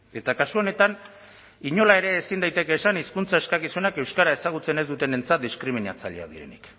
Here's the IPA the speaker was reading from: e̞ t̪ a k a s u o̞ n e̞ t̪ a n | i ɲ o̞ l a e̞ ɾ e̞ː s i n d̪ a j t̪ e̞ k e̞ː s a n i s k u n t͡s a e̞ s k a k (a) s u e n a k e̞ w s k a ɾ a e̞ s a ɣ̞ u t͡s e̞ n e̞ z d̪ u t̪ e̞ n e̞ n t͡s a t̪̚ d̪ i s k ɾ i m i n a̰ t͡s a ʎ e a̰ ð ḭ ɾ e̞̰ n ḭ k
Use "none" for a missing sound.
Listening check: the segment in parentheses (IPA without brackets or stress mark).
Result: i